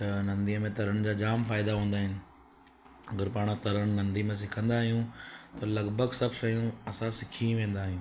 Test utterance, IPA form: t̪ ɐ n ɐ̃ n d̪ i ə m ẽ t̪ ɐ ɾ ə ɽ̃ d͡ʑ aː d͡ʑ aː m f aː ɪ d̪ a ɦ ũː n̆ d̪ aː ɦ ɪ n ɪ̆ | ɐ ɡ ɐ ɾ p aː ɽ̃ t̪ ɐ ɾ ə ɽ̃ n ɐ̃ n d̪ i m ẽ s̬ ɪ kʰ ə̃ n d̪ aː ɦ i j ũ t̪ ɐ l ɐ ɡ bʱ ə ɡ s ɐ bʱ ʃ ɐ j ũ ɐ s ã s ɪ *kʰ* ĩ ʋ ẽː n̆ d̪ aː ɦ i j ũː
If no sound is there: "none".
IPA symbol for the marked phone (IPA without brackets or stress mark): kʰ